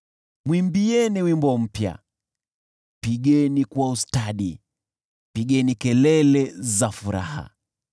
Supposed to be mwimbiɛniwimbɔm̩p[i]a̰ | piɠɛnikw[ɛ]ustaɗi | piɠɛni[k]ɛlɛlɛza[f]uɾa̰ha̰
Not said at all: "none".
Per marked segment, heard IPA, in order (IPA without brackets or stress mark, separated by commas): j, a, k, f